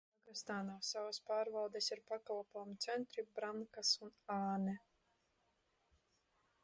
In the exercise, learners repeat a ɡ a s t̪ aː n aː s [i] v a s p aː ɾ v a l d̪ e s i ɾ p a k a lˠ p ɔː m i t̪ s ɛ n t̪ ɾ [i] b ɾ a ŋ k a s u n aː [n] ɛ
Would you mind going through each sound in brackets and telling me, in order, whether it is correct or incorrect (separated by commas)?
incorrect, correct, correct